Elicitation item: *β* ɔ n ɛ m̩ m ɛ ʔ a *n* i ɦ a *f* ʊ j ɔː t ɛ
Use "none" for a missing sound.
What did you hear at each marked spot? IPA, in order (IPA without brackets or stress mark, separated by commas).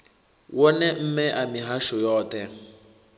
w, m, ʃ